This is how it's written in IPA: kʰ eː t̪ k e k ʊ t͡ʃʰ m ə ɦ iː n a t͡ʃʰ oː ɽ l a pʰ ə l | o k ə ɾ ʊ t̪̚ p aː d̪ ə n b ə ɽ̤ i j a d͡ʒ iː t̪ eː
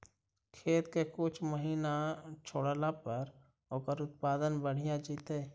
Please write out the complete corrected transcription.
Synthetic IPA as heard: kʰ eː t̪ k e k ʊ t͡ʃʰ m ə ɦ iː n a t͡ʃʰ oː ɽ l a p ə ɾ | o k ə ɾ ʊ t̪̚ p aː d̪ ə n b ə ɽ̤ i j a d͡ʒ iː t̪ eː